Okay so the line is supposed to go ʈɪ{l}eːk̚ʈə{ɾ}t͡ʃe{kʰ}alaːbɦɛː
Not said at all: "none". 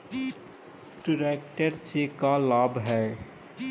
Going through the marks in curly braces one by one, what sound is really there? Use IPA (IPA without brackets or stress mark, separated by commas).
ɾ, ɾ, k